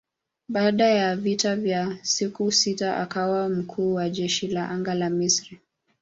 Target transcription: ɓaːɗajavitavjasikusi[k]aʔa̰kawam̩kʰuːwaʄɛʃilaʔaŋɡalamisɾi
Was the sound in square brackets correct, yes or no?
no